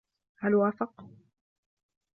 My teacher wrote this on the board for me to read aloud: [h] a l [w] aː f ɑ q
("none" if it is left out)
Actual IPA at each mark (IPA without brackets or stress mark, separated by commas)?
h, w